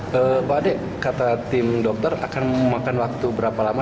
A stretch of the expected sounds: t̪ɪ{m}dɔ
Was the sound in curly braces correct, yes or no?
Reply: yes